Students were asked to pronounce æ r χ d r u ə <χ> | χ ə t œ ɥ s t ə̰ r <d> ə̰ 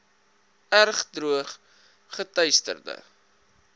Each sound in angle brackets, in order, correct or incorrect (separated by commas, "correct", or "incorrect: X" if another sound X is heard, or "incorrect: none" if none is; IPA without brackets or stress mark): correct, correct